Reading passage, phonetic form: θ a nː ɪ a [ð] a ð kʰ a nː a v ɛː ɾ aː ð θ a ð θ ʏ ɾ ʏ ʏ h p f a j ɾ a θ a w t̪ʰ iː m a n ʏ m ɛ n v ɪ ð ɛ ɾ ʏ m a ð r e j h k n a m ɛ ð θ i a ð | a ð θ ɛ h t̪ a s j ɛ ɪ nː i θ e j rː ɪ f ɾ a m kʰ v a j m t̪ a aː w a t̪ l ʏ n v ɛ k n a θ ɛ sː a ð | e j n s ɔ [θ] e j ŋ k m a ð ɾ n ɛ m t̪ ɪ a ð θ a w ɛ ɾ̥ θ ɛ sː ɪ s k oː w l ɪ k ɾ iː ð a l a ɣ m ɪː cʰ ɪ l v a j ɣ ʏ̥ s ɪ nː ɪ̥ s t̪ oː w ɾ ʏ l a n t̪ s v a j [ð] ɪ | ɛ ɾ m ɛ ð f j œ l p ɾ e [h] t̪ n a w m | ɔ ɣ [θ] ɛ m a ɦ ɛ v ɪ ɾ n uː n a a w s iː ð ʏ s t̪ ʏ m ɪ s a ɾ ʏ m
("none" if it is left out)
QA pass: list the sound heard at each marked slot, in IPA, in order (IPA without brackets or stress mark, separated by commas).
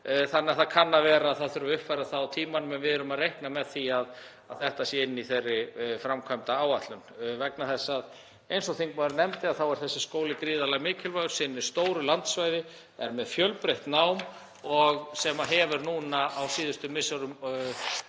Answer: θ, θ, ð, h, s